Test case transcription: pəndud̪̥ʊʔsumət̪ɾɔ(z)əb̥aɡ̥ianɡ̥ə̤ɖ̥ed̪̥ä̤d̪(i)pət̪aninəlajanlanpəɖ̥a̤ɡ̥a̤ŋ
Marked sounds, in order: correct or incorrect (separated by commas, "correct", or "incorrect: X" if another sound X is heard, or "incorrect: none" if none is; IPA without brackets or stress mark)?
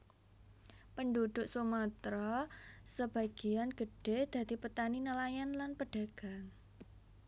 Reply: incorrect: s, correct